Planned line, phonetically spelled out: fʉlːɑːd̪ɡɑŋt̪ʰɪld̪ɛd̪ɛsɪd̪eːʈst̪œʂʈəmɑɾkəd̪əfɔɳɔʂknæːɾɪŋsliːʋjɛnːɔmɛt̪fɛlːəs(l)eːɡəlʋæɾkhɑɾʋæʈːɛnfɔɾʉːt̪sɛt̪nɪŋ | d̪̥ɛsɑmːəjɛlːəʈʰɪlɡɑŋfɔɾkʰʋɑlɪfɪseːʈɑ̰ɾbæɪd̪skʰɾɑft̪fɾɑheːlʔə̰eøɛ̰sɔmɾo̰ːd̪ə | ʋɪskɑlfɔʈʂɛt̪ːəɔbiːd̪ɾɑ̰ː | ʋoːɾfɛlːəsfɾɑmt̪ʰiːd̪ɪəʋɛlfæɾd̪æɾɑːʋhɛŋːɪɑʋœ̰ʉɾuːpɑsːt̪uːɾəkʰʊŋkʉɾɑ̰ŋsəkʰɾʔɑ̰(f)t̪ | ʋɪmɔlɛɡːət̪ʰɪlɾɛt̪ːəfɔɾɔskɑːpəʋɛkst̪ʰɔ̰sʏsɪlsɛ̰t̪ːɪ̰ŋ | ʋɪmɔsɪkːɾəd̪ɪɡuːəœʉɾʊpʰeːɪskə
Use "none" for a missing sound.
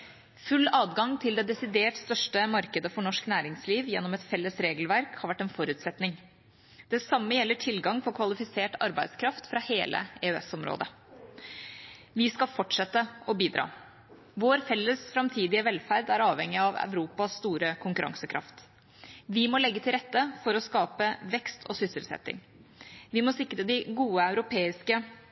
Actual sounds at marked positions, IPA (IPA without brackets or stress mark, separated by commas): ɾ, f